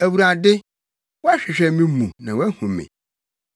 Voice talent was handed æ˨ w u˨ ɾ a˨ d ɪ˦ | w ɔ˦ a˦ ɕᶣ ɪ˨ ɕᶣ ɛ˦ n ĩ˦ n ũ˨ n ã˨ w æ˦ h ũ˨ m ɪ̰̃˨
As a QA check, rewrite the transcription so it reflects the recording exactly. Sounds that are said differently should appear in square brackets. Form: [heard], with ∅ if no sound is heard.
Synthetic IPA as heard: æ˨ w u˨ ɾ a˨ d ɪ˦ | w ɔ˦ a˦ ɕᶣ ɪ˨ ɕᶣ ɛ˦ [m] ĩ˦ [m] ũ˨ n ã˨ w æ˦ h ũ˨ m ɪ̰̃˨